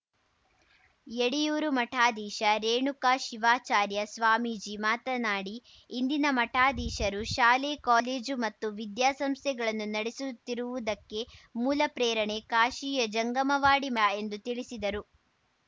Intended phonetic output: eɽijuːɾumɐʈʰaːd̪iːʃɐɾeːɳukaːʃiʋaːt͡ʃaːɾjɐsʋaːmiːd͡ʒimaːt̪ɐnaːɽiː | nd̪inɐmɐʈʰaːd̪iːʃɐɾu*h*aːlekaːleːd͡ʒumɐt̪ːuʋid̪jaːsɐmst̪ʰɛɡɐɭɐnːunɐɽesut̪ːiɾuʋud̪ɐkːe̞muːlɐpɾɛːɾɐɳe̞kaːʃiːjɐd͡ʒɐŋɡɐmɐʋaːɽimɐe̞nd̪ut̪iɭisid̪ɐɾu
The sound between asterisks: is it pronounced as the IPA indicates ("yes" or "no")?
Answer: no